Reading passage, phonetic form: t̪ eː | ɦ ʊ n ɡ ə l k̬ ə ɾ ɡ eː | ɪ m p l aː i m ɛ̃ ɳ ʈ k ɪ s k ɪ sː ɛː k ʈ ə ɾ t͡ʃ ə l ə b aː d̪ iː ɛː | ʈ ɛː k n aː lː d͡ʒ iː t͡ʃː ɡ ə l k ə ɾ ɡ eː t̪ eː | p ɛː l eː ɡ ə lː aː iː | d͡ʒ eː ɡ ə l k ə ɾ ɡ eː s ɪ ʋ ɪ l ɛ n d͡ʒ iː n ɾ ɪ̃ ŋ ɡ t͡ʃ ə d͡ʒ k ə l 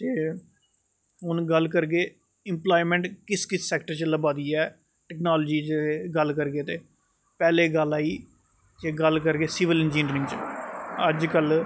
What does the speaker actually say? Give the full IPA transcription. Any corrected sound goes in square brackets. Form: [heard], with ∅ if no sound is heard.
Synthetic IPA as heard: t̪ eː | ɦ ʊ n ɡ ə l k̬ ə ɾ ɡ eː | ɪ m p l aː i m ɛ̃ ɳ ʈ k ɪ s k ɪ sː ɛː k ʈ ə ɾ t͡ʃ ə l ə b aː d̪ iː ɛː | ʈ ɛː k n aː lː d͡ʒ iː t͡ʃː ɡ ə l k ə ɾ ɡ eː t̪ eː | p ɛː l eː ɡ ə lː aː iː | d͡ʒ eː ɡ ə l k ə ɾ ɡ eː s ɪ ʋ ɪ l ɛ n d͡ʒ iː n ɾ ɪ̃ ŋ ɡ t͡ʃ ə d͡ʒ k ə l